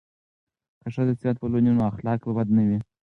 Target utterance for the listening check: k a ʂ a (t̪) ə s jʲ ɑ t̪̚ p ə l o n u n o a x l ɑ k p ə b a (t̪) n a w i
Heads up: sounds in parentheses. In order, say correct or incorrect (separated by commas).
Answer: incorrect, incorrect